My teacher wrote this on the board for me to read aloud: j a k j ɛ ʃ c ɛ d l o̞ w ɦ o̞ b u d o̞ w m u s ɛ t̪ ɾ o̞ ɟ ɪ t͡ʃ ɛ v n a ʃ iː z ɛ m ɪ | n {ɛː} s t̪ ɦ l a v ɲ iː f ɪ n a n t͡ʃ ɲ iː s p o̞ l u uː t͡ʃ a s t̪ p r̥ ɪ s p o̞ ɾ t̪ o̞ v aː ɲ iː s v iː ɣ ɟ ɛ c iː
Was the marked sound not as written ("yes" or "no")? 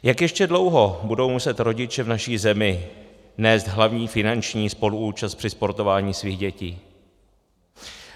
no